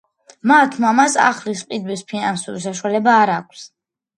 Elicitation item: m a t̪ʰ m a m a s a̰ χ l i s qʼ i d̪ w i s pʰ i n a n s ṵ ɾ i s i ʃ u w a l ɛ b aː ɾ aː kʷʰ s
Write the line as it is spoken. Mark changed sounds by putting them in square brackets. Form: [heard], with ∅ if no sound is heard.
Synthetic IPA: m a t̪ʰ m a m a s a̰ χ l i s qʼ i d̪ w i s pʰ i n a n s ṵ ɾ i s [a] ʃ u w a l ɛ b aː ɾ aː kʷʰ s